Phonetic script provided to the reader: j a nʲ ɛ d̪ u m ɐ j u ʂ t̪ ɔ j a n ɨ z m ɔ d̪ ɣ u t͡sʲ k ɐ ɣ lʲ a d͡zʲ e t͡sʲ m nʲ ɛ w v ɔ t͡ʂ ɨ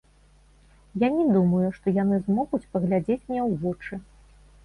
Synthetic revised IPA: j a nʲ ɛ d̪ u m ɐ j u ʂ t̪ ɔ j a n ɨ z m ɔ ɣ u t͡sʲ p ɐ ɣ lʲ a d͡zʲ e t͡sʲ m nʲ ɛ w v ɔ t͡ʂ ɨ